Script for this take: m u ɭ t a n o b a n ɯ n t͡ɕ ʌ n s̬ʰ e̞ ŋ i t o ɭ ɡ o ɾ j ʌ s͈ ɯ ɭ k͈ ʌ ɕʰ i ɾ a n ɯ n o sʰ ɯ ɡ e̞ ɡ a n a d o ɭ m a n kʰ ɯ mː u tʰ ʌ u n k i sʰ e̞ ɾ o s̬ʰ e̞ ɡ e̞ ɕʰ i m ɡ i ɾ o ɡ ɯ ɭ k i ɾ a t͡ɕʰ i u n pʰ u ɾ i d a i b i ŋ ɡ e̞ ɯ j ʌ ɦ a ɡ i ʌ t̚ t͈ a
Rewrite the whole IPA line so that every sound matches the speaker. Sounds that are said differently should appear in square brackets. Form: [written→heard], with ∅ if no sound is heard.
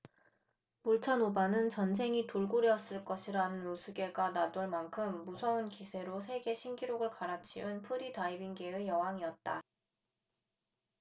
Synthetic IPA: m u ɭ [t→t͡ɕʰ] a n o b a n ɯ n t͡ɕ ʌ n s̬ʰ e̞ ŋ i t o ɭ ɡ o ɾ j ʌ s͈ ɯ ɭ k͈ ʌ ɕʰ i ɾ a n ɯ n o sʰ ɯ ɡ e̞ ɡ a n a d o ɭ m a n kʰ ɯ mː u [tʰ→sʰ] ʌ u n k i sʰ e̞ ɾ o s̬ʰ e̞ ɡ e̞ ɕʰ i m ɡ i ɾ o ɡ ɯ ɭ k [i→a] ɾ a t͡ɕʰ i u n pʰ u ɾ i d a i b i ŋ ɡ e̞ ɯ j ʌ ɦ a [ɡ→ŋ] i ʌ t̚ t͈ a